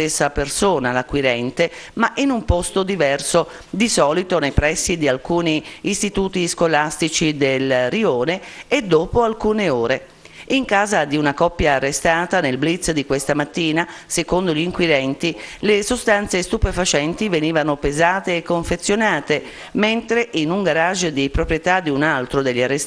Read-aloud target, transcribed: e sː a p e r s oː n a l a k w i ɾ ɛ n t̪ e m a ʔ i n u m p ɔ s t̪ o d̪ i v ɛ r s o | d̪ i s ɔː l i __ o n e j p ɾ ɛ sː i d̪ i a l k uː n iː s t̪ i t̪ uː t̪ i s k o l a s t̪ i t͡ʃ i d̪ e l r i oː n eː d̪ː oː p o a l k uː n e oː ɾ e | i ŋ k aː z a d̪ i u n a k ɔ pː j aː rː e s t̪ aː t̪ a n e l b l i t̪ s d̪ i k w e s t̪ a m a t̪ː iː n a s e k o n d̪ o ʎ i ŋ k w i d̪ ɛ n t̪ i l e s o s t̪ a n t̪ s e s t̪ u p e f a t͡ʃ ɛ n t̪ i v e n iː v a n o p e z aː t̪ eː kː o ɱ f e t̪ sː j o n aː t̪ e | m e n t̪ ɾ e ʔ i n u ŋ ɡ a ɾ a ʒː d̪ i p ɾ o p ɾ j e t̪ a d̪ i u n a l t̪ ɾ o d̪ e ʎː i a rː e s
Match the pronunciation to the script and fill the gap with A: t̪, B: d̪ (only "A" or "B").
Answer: A